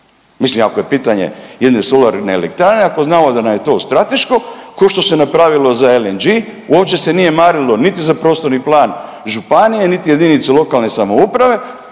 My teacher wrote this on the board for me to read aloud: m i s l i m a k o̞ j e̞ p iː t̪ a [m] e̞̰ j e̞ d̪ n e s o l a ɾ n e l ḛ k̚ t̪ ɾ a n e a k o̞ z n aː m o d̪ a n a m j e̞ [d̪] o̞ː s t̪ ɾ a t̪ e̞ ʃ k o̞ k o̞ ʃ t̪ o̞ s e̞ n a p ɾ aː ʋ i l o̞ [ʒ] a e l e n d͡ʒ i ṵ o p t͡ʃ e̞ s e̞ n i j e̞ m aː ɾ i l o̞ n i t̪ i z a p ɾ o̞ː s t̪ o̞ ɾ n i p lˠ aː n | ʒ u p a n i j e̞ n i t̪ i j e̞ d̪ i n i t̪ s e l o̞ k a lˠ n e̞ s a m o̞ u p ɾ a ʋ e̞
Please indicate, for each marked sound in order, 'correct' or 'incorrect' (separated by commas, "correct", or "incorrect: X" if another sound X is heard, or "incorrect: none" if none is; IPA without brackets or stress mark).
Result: incorrect: ɲ, incorrect: t̪, incorrect: z